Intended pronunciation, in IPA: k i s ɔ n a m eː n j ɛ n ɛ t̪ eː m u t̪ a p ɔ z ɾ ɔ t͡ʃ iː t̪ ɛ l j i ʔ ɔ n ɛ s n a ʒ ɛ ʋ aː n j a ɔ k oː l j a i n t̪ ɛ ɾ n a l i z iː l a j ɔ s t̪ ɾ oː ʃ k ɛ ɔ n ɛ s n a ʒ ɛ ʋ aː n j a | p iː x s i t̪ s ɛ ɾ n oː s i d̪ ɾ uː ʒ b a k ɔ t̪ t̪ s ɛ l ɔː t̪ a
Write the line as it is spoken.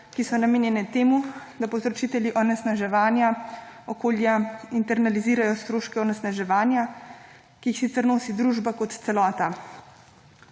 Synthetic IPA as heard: k i s ɔ n a m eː n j ɛ n ɛ t̪ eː m u d̪ a p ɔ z ɾ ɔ t͡ʃ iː t̪ ɛ l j i ʔ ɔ n ɛ s n a ʒ ɛ ʋ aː n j a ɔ k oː l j a i n t̪ ɛ ɾ n a l i z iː ɾ a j ɔ s t̪ ɾ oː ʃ k ɛ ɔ n ɛ s n a ʒ ɛ ʋ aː n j a | k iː x s i t̪ s ɛ ɾ n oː s i d̪ ɾ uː ʒ b a k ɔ t̪ t̪ s ɛ l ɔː t̪ a

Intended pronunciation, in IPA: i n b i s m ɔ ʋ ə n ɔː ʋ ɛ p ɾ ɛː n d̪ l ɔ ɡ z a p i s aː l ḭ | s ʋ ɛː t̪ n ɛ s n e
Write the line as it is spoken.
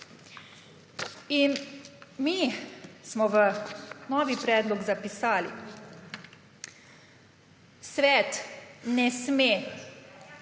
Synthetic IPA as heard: i n m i s m ɔ ʋ ə n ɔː ʋ i p ɾ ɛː d̪ l ɔ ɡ z a p i s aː l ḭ | s ʋ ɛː t̪ n ɛ s m e

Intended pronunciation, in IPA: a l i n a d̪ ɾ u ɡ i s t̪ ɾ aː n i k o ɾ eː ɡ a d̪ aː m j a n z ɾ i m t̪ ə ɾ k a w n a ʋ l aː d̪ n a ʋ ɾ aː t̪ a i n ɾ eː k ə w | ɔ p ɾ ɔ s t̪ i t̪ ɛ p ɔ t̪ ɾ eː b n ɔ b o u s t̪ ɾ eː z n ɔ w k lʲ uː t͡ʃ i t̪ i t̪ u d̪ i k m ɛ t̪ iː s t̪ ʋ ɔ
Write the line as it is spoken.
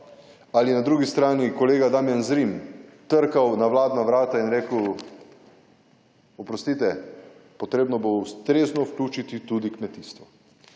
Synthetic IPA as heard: a l i n a d̪ ɾ u ɡ i s t̪ ɾ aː n i k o l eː ɡ a d̪ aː m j a n z ɾ i m t̪ ə ɾ k a w n a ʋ l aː d̪ n a ʋ ɾ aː t̪ a i n ɾ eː k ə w | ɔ p ɾ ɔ s t̪ i t̪ ɛ p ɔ t̪ ɾ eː b n ɔ b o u s t̪ ɾ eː z n ɔ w k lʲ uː t͡ʃ i t̪ i t̪ u d̪ i k m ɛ t̪ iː s t̪ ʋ ɔ

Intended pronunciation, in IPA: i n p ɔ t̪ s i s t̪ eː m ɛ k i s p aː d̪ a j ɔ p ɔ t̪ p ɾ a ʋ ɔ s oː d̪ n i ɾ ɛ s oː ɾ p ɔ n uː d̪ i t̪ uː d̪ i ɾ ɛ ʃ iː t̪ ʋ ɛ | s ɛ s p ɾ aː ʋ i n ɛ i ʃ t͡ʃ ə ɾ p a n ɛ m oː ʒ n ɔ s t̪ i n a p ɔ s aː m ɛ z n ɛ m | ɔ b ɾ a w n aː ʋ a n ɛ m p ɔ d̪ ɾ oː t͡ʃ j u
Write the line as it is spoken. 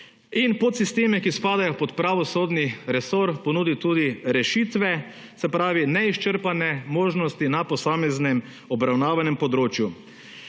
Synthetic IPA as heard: i n p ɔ t̪ s i s t̪ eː m ɛ k i s p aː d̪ a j ɔ p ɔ t̪ p ɾ a ʋ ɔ s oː d̪ n i ɾ ɛ s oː ɾ p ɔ n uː d̪ i t̪ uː d̪ i ɾ ɛ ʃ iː t̪ ʋ ɛ | s ɛ p ɾ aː ʋ i n ɛ i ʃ t͡ʃ ə ɾ p a n ɛ m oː ʒ n ɔ s t̪ i n a p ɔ s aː m ɛ z n ɛ m | ɔ b ɾ a w n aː ʋ a n ɛ m p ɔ d̪ ɾ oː t͡ʃ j u

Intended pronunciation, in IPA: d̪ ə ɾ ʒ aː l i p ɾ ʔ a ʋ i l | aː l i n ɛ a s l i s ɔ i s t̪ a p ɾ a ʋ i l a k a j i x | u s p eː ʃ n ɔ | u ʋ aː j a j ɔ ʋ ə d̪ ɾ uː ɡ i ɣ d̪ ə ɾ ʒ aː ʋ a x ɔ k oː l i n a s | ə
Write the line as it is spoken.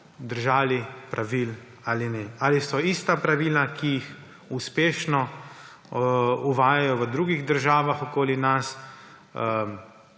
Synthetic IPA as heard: d̪ ə ɾ ʒ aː l i p ɾ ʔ a ʋ i l | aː l i n ɛ a l i s ɔ i s t̪ a p ɾ a ʋ i l a k i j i x | u s p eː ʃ n ɔ | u ʋ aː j a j ɔ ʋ ə d̪ ɾ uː ɡ i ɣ d̪ ə ɾ ʒ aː ʋ a x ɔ k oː l i n a s | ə

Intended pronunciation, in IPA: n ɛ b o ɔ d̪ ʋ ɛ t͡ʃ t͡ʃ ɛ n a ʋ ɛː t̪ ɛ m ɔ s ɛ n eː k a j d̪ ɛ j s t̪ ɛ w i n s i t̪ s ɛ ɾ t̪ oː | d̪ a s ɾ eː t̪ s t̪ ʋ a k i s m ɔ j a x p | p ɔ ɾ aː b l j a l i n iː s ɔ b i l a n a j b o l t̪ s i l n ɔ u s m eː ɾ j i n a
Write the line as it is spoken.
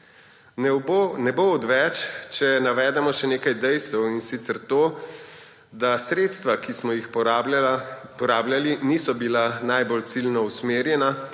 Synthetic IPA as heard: n ɛ b o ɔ d̪ ʋ ɛ t͡ʃ t͡ʃ ɛ n a ʋ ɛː d̪ ɛ m ɔ ʃ ɛ n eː k a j d̪ ɛ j s t̪ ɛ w i n s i t̪ s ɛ ɾ t̪ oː | d̪ a s ɾ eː t̪ s t̪ ʋ a k i s m ɔ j i x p | p ɔ ɾ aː b l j a l i n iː s ɔ b i l a n a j b o l t̪ s i l n ɔ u s m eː ɾ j ɛ n a

